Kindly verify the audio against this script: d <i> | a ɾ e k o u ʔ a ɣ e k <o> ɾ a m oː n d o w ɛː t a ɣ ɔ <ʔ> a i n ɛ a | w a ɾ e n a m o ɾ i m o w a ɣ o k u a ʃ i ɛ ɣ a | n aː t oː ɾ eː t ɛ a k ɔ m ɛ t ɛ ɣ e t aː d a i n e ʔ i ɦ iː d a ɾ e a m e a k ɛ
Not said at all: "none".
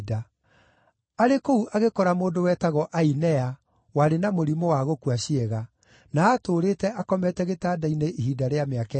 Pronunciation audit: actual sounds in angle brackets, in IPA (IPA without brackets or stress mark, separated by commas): a, ɔ, ʔ